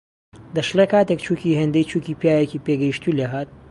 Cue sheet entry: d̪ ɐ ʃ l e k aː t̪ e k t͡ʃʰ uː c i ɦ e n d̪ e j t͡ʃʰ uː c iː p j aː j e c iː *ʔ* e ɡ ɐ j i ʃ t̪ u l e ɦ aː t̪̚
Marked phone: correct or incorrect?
incorrect